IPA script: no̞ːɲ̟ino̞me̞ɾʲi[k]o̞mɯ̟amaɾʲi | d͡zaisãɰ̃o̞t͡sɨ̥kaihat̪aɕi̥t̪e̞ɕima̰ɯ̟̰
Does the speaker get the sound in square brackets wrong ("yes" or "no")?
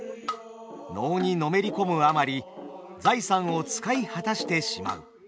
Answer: no